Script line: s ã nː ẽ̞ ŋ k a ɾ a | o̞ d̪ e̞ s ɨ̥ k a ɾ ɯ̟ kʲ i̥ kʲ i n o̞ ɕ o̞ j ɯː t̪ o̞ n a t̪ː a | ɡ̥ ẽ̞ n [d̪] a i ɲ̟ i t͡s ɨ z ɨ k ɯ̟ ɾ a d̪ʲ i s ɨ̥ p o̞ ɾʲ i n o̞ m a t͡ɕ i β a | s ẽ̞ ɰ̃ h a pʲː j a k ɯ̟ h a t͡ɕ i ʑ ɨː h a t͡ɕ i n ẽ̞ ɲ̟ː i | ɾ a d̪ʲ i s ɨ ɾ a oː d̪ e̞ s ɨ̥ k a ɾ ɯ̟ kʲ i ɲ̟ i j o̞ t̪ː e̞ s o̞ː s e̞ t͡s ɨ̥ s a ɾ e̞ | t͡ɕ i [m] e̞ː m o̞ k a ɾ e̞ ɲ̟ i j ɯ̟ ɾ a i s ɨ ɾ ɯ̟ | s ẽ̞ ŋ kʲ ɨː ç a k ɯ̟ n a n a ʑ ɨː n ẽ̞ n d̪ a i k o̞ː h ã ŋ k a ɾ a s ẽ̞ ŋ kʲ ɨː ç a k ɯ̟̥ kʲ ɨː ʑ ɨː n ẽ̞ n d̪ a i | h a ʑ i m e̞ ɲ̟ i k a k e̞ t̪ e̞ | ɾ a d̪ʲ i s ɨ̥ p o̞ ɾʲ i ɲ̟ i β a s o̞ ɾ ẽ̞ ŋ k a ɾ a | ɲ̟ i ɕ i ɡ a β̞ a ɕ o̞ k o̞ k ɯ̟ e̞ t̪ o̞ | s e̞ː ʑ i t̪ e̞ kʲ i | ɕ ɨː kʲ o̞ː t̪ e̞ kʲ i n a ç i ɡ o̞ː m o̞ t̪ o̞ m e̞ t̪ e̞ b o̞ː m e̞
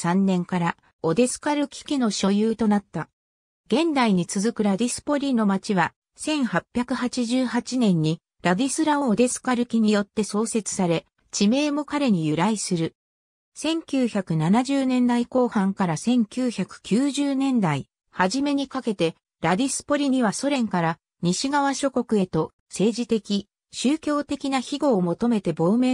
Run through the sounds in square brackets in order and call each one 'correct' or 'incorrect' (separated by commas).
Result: correct, correct